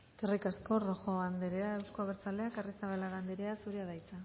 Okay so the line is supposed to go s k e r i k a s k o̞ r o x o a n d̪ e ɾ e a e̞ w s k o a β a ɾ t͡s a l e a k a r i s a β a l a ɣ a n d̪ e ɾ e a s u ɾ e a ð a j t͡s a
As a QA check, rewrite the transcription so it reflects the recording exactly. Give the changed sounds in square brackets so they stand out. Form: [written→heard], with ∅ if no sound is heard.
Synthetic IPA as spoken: s k e r i k a s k o̞ r o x o a n d̪ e ɾ e a e̞ w s k o a β [a→e] ɾ t͡s a l e a k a r i s a β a l a ɣ a n d̪ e ɾ e a s u ɾ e a ð a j t͡s a